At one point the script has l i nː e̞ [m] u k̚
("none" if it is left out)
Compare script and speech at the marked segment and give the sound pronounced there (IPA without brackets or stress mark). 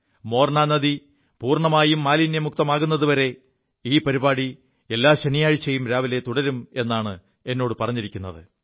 m